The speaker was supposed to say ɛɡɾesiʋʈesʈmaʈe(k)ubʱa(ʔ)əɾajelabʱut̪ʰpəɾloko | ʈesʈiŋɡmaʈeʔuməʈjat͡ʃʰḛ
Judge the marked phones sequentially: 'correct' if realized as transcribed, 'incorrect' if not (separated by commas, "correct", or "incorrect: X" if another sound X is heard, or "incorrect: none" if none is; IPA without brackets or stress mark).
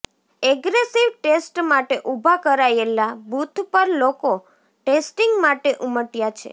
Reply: incorrect: ʔ, incorrect: k